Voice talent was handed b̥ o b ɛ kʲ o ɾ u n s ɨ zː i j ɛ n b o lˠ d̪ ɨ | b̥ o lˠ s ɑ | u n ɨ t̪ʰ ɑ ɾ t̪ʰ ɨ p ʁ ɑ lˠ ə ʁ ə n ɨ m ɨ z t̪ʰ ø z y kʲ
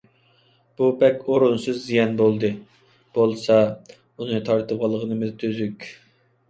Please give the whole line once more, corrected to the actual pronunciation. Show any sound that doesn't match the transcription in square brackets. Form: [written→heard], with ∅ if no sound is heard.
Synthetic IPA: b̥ [o→u] b ɛ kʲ o ɾ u n s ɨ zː i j ɛ n b o lˠ d̪ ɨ | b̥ o lˠ s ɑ | u n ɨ t̪ʰ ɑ ɾ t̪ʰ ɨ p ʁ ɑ lˠ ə ʁ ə n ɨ m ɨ z t̪ʰ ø z y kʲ